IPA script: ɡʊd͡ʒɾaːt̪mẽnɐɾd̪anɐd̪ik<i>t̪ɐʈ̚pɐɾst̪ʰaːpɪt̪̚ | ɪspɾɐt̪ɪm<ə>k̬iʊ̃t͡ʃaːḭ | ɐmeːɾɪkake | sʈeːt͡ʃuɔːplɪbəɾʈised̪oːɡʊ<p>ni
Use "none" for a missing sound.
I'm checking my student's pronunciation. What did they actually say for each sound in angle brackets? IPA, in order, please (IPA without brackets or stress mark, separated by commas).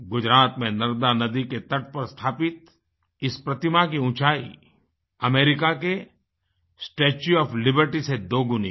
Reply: e, a, none